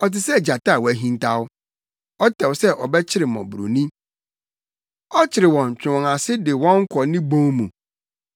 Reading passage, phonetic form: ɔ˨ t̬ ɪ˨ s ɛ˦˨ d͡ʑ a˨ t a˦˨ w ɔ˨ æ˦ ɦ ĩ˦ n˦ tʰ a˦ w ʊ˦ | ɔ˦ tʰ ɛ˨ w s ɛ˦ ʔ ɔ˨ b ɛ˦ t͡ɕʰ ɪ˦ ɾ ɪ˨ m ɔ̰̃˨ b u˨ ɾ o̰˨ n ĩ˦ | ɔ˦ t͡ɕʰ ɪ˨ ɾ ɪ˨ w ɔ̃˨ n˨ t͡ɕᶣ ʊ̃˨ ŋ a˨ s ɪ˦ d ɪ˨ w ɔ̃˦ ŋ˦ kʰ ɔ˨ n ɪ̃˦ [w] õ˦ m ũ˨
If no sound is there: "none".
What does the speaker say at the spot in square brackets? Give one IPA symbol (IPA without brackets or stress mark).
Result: b